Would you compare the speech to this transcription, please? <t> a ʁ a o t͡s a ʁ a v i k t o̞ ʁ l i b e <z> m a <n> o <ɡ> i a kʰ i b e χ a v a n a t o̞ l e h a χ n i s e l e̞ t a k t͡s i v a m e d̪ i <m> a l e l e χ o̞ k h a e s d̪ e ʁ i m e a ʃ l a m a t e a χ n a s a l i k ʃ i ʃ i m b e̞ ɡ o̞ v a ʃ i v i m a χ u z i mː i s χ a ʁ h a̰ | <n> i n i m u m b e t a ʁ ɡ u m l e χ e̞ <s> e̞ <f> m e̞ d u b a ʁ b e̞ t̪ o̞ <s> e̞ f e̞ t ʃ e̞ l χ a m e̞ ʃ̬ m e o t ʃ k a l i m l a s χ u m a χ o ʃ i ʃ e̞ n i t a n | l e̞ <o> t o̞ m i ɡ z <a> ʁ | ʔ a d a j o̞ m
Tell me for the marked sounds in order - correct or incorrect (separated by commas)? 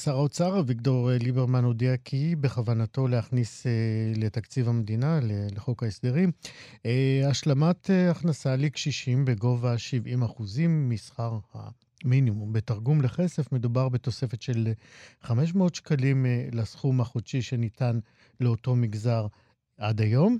incorrect, incorrect, correct, incorrect, incorrect, incorrect, correct, correct, correct, correct, correct